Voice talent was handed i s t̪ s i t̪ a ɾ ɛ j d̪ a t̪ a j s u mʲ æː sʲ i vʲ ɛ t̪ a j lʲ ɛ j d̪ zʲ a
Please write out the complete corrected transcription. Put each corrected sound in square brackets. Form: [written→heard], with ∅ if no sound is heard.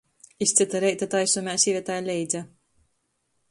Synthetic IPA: i s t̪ s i t̪ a ɾ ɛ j [d̪→t̪] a t̪ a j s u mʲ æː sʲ i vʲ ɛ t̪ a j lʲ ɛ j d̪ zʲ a